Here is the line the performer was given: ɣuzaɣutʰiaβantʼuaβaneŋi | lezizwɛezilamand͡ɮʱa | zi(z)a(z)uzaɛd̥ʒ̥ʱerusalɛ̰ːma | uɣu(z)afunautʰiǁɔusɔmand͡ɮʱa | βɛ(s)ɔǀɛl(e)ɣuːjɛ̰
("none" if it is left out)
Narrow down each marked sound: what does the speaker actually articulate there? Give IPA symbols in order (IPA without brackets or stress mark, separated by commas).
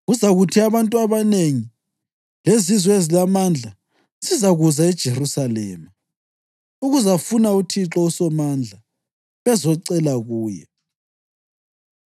z, ɣ, z, z, a